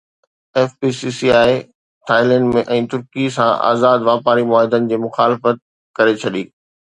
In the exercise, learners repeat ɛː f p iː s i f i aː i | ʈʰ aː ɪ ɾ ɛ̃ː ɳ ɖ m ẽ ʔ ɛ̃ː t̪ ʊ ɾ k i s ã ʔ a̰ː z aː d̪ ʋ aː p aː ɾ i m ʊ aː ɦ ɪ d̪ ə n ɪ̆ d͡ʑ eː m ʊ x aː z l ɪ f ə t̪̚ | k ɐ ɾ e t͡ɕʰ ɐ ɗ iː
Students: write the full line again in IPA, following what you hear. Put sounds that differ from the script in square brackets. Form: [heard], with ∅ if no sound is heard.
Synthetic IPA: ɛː f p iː s i [s] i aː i | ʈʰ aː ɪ [l] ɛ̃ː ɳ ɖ m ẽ ʔ ɛ̃ː t̪ ʊ ɾ k i s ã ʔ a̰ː z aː d̪ ʋ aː p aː ɾ i m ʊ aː ɦ ɪ d̪ ə n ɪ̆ d͡ʑ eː m ʊ x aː [∅] l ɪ f ə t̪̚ | k ɐ ɾ e t͡ɕʰ ɐ ɗ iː